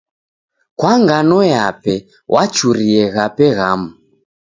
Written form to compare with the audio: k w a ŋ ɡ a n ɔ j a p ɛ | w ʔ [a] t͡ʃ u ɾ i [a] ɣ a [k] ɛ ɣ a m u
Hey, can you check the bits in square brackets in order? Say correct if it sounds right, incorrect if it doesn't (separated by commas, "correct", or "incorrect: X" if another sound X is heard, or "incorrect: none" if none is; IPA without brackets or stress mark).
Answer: correct, incorrect: ɛ, incorrect: p